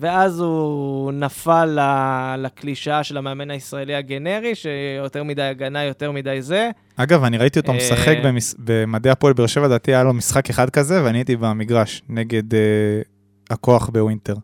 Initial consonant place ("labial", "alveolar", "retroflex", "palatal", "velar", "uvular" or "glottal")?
labial